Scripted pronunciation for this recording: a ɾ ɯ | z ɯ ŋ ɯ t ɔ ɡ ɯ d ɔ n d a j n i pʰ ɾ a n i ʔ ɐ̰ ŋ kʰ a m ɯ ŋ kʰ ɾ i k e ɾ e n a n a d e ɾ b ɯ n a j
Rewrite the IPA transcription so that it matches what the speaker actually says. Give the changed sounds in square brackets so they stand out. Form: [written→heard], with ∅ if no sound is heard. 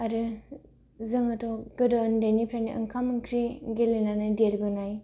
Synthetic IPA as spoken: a ɾ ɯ | z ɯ ŋ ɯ t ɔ ɡ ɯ d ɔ n d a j n i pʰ ɾ a n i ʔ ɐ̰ ŋ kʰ a m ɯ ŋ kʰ ɾ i [k→ɡ] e [ɾ→l] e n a n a d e ɾ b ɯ n a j